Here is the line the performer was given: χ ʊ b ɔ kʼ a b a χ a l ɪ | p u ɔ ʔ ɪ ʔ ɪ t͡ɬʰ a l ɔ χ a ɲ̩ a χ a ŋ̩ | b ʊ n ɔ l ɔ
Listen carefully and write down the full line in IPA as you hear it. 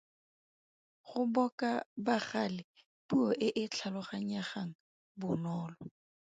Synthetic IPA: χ ʊ b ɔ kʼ a b a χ a l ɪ | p u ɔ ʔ ɪ ʔ ɪ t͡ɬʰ a l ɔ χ a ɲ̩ a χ a ŋ̩ | b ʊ n ɔː l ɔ